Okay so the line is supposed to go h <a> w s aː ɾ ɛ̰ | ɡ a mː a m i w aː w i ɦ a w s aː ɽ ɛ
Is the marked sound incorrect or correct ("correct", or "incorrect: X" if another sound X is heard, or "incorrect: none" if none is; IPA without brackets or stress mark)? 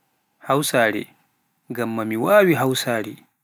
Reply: correct